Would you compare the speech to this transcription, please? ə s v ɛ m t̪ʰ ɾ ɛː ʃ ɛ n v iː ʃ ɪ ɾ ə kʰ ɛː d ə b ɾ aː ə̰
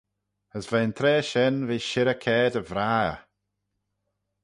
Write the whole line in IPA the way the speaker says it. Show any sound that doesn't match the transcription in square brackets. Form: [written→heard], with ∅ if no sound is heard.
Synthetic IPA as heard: ə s v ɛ [m→n] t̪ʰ ɾ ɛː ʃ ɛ n v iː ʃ ɪ ɾ ə kʰ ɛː d ə [b→v] ɾ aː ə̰

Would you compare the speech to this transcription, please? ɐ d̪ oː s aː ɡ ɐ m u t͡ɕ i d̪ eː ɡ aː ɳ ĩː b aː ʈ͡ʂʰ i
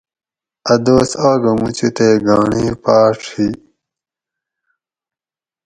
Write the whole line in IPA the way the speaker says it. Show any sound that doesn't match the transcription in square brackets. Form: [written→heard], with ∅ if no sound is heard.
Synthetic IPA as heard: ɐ d̪ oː s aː ɡ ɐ m u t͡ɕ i [d̪→t̪] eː ɡ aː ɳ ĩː [b→p] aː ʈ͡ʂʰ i

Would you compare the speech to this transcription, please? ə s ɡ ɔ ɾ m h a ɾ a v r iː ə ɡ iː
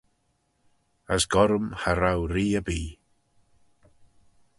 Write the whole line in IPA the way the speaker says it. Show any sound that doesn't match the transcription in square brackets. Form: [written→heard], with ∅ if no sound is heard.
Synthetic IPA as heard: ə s ɡ ɔ ɾ m h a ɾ a [v→w] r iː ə [ɡ→b] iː

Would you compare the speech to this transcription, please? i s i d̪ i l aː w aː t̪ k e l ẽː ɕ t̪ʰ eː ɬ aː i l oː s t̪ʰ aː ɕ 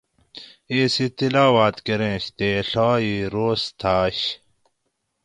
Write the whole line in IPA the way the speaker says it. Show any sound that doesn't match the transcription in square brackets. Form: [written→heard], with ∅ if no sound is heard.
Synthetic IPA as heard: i s i [d̪→t̪] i l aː w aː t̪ k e [l→ɾ] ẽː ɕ [t̪ʰ→t̪] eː ɬ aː i [l→ɾ] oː s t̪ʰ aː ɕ

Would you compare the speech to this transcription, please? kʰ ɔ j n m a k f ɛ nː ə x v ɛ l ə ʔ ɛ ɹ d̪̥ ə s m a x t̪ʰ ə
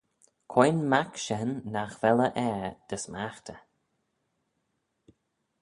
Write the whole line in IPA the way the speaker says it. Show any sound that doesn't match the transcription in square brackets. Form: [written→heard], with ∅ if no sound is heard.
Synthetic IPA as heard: kʰ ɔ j n m a k [f→ʃ] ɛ nː [ə→a] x v ɛ l ə ʔ ɛ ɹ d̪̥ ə s m a x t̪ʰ ə

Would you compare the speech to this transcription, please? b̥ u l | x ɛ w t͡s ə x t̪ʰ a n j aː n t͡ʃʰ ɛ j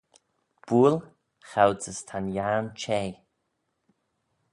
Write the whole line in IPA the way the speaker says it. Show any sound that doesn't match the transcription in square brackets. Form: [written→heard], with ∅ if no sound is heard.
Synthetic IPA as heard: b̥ u l | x [ɛ→a] w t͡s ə [x→s] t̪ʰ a n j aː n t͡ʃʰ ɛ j

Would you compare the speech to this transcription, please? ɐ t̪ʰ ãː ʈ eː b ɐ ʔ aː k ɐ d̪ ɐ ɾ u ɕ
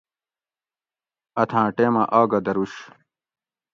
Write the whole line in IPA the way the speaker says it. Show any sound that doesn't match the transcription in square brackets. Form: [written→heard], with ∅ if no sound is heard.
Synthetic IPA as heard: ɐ t̪ʰ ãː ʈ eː [b→m] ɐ ʔ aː [k→ɡ] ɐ d̪ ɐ ɾ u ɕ

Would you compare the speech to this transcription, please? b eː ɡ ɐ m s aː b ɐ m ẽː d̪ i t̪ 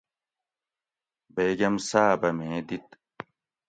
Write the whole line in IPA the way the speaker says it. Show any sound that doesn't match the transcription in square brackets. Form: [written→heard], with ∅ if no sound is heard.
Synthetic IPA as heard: b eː ɡ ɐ m s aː b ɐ m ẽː d̪ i t̪

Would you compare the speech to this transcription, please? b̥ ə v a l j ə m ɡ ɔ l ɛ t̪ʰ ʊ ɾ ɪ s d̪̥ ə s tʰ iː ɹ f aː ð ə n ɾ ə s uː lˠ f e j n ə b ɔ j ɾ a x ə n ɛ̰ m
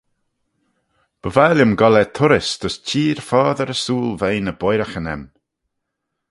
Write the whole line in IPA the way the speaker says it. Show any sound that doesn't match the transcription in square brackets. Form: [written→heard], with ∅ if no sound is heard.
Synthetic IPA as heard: b̥ ə v a l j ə m ɡ ɔ l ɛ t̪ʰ ʊ ɾ ɪ s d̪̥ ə s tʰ iː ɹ f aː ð ə [n→∅] ɾ ə s uː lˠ [f→v] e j n ə b ɔ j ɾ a x ə n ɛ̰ m

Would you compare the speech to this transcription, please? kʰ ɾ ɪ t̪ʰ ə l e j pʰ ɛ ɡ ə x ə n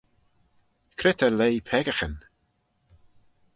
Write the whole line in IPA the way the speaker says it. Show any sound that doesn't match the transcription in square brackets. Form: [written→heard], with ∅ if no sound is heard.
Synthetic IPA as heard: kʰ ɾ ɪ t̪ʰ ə l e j pʰ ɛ ɡ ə x ə n

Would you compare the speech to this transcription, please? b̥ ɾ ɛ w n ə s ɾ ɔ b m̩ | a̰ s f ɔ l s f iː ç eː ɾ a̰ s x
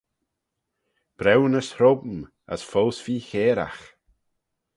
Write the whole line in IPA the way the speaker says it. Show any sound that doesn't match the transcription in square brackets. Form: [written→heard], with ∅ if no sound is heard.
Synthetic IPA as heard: b̥ ɾ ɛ w n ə s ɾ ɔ b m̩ | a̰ s f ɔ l s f iː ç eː ɾ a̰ [s→∅] x

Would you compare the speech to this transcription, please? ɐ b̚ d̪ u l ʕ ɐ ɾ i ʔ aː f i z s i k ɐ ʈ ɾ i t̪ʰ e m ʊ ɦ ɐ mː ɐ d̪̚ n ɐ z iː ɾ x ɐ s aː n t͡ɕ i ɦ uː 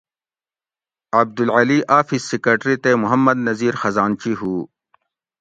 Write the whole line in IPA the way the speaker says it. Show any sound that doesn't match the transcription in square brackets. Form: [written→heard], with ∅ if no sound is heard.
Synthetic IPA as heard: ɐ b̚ d̪ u l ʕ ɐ [ɾ→l] i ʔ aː f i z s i k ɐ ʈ ɾ i [t̪ʰ→t̪] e m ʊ ɦ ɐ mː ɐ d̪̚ n ɐ z iː ɾ x ɐ [s→z] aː n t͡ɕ i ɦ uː

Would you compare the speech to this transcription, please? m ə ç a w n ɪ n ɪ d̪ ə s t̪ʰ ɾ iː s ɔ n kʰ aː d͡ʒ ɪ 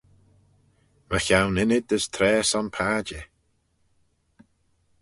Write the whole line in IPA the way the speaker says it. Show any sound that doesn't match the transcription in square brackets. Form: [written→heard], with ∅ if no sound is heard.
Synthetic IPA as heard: m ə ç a w n ɪ n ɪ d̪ ə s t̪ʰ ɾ [iː→ɛː] s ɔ n [kʰ→pʰ] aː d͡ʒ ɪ

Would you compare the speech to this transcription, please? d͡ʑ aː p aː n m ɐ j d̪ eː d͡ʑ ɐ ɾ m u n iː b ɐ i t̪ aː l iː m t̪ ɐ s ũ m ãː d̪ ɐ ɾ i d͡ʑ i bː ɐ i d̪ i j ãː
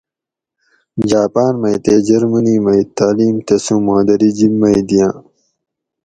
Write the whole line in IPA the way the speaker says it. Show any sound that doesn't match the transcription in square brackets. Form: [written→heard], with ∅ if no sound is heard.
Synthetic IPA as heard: d͡ʑ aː p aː n m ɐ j [d̪→t̪] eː d͡ʑ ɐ ɾ m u n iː [b→m] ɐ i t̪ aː l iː m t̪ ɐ s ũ m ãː d̪ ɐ ɾ i d͡ʑ i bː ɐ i d̪ i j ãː

